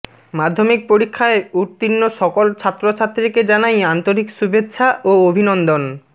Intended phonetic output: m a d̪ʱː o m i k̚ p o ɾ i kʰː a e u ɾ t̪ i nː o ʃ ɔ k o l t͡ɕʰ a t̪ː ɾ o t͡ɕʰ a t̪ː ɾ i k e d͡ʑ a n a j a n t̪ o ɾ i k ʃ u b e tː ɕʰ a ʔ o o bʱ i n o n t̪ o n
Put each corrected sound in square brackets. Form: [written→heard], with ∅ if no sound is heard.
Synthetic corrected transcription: m a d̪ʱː o m i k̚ p o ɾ i kʰː a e u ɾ t̪ i nː o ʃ ɔ k o l t͡ɕʰ a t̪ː ɾ o t͡ɕʰ a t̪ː ɾ i k e d͡ʑ a n a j a n t̪ o ɾ i k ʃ u b e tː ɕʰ a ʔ o o bʱ i n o n [t̪→d̪] o n